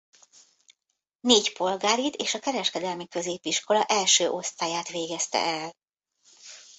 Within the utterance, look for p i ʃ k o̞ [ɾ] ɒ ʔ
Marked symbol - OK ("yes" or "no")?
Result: no